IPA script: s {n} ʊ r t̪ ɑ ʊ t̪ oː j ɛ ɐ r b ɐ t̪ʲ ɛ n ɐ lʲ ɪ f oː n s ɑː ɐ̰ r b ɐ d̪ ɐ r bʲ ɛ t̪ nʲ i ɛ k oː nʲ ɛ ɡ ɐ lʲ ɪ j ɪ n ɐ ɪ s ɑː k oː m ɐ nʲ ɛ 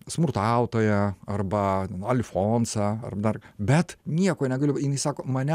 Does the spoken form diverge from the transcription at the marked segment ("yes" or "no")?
yes